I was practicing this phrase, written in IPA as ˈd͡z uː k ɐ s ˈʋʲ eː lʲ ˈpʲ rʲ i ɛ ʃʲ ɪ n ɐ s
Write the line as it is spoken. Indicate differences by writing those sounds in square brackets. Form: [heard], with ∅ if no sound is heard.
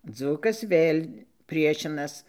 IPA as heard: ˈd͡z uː k ɐ s ˈʋʲ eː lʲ ˈpʲ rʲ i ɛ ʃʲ ɪ n ɐ s

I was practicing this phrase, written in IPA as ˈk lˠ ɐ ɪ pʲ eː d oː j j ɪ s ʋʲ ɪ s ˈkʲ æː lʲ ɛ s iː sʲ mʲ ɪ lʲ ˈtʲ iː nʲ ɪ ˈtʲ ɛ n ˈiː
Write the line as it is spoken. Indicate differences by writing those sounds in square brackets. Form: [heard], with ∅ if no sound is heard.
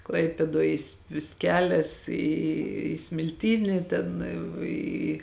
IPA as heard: ˈk lˠ ɐ ɪ pʲ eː d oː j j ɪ s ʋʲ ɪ s ˈkʲ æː lʲ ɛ s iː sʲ mʲ ɪ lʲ ˈtʲ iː nʲ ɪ ˈtʲ ɛ n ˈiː

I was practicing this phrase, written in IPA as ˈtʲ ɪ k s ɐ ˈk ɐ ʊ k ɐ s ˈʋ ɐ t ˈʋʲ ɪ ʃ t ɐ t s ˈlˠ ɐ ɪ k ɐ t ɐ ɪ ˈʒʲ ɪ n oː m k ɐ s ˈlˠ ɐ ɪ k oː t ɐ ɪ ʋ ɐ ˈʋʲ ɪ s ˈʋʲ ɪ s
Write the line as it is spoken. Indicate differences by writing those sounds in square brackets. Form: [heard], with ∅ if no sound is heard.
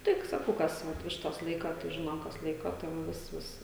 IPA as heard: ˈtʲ ɪ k s ɐ ˈk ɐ ʊ k ɐ s ˈʋ ɐ t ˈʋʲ ɪ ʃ t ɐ [∅] s ˈlˠ ɐ ɪ k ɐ t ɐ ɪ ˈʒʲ ɪ n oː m k ɐ s ˈlˠ ɐ ɪ k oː t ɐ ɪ ʋ ɐ ˈʋʲ ɪ s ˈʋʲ ɪ s

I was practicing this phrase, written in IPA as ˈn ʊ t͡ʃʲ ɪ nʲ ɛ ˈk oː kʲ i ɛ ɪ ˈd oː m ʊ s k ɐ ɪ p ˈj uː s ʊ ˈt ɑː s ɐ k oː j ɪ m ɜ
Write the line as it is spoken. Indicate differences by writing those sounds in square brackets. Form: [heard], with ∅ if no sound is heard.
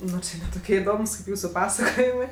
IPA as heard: ˈn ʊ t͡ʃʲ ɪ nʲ ɛ [ˈt] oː kʲ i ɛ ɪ ˈd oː m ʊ s k ɐ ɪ p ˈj uː s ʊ [ˈp] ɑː s ɐ k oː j ɪ m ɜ

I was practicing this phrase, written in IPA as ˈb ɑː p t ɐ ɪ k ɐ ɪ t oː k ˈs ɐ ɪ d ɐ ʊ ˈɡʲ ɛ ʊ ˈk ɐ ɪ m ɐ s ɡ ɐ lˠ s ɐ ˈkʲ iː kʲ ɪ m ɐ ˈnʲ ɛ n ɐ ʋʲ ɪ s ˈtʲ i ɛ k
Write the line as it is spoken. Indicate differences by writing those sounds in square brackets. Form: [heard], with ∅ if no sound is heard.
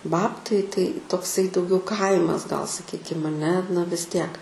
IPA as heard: ˈb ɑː p t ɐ ɪ [t] ɐ ɪ t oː k ˈs ɐ ɪ d ɐ ʊ ˈɡʲ ɛ ʊ ˈk ɐ ɪ m ɐ s ɡ ɐ lˠ s ɐ ˈkʲ iː kʲ ɪ m ɐ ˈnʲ ɛ n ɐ ʋʲ ɪ s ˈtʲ i ɛ k

